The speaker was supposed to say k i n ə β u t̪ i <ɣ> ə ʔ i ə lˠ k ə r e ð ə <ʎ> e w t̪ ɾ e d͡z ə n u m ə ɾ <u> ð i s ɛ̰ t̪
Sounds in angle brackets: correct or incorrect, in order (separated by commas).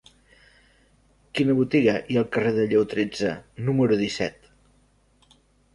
correct, correct, correct